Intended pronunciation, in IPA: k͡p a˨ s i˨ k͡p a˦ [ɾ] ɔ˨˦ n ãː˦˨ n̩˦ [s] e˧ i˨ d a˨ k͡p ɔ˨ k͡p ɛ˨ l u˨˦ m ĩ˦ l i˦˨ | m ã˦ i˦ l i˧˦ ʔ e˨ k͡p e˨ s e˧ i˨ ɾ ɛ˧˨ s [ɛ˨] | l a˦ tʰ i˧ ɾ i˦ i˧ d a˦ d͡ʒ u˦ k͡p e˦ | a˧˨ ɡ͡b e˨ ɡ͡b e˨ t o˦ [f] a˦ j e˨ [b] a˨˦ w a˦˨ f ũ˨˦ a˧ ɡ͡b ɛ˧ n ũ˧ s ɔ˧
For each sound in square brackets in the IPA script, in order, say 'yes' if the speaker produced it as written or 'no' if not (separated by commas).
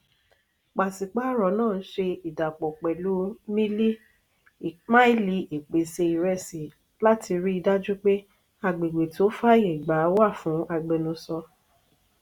yes, no, no, yes, no